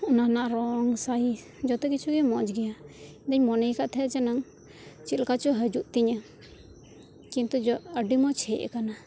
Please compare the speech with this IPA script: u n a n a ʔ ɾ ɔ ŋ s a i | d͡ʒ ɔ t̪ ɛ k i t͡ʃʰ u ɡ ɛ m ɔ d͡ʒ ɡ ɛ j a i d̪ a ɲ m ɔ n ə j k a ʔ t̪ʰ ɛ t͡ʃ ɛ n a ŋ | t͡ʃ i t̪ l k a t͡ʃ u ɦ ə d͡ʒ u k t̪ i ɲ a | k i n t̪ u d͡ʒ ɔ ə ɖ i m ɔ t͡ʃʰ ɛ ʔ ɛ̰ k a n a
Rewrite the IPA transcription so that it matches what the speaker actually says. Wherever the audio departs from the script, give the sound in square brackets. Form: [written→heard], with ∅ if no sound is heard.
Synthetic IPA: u n a n a ʔ ɾ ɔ ŋ s a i | d͡ʒ ɔ t̪ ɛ k i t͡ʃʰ u ɡ ɛ m ɔ d͡ʒ ɡ ɛ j a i d̪ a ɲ m ɔ n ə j k a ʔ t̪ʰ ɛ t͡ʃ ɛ n a ŋ | t͡ʃ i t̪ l k a t͡ʃ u ɦ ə d͡ʒ u [k→ʔ] t̪ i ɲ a | k i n t̪ u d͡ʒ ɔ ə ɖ i m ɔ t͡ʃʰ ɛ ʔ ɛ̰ k a n a

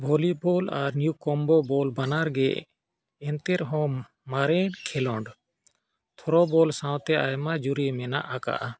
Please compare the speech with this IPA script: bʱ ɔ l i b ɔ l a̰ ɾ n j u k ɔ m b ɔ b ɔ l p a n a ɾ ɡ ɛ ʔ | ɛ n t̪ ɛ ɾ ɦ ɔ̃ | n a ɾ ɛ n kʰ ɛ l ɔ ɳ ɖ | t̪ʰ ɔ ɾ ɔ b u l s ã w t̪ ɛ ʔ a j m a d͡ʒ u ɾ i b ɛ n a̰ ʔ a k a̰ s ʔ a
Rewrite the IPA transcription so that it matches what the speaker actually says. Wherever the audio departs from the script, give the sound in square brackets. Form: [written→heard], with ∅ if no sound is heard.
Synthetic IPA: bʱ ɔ l i b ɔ l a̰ ɾ n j u k ɔ m b ɔ b ɔ l [p→b] a n a ɾ ɡ ɛ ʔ | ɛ n t̪ ɛ ɾ ɦ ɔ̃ | [n→m] a ɾ ɛ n kʰ ɛ l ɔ ɳ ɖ | t̪ʰ ɔ ɾ ɔ b [u→ɔ] l s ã w t̪ ɛ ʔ a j m a d͡ʒ u ɾ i [b→m] ɛ n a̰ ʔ a k a̰ [s→∅] ʔ a

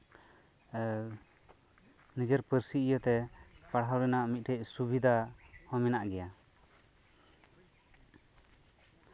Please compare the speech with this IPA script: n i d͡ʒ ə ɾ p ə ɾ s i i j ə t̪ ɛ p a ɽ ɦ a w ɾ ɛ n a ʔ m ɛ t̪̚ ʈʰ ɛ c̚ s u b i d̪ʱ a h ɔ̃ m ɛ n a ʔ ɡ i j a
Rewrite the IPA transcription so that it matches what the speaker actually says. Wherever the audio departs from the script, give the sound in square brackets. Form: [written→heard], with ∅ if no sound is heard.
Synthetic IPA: n i d͡ʒ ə ɾ p ə ɾ s i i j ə t̪ ɛ p a ɽ ɦ a w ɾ ɛ n a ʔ m [ɛ→i] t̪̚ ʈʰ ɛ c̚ s u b i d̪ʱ a h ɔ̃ m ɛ n a ʔ ɡ [i→ɛ] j a

